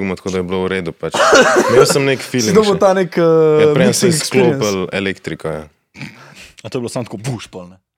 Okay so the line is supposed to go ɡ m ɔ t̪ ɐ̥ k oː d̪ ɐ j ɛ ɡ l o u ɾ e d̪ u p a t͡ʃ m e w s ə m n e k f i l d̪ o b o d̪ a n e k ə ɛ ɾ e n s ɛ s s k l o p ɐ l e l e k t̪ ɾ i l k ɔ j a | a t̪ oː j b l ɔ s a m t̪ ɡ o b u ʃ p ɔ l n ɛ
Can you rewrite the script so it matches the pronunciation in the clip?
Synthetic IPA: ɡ m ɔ t̪ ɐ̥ k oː d̪ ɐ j ɛ b l o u ɾ e d̪ u p a t͡ʃ m e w s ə m n e k f i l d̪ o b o t̪ a n e k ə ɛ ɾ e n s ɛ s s k l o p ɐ l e l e k t̪ ɾ i k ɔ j a | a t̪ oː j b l o s a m t̪ k o b u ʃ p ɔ l n ɛ